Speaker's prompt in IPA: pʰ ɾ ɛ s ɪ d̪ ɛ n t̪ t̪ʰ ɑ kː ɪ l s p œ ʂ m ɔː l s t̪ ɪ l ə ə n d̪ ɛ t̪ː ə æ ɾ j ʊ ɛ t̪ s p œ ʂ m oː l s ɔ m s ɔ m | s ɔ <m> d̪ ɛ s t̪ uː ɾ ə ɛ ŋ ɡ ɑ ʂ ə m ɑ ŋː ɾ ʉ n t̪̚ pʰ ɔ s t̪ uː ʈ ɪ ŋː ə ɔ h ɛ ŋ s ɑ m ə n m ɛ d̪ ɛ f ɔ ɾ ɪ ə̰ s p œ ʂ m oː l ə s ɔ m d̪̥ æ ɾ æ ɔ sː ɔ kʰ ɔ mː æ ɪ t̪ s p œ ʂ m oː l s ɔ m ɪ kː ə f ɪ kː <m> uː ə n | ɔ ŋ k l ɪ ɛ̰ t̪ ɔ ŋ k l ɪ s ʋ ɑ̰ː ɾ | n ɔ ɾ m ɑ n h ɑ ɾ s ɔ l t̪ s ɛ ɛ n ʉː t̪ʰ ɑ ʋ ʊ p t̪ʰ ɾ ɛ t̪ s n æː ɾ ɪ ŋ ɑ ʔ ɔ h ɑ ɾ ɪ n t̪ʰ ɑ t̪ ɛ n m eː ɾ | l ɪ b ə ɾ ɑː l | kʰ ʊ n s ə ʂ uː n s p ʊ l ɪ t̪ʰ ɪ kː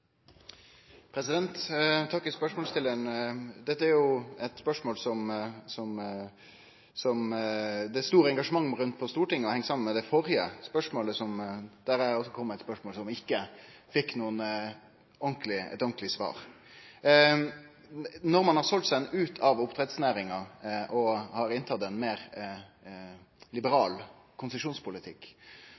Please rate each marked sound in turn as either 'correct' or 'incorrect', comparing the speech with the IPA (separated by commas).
correct, incorrect